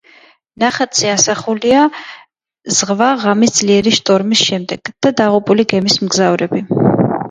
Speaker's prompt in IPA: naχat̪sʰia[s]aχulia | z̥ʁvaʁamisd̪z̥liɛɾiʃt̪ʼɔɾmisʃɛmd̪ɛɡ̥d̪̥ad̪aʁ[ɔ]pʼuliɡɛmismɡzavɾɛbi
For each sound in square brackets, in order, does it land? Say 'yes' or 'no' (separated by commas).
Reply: yes, no